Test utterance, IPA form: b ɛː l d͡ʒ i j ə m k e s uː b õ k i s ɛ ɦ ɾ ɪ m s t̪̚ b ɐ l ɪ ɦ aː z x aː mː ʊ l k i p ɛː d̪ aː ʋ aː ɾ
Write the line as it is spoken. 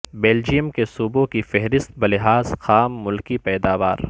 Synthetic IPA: b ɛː l d͡ʒ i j ə m k e s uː b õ k i f ɛ ɦ ɾ ɪ s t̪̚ b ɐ l ɪ ɦ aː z x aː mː ʊ l k i p ɛː d̪ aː ʋ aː ɾ